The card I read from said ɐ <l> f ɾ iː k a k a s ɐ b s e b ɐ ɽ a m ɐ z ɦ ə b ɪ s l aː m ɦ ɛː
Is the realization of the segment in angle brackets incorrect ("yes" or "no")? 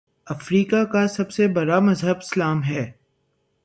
yes